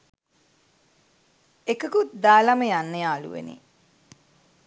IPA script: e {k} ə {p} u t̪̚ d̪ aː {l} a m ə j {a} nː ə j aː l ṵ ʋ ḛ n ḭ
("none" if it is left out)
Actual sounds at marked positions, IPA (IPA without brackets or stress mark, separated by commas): k, k, l, a